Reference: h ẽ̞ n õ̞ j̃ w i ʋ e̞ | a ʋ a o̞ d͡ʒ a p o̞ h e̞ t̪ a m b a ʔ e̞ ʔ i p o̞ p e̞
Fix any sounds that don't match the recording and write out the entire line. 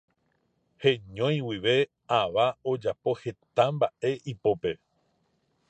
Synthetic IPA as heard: h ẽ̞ ɲ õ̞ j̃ w i ʋ e̞ | a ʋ a o̞ d͡ʒ a p o̞ h e̞ t̪ a m b a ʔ e̞ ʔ i p o̞ p e̞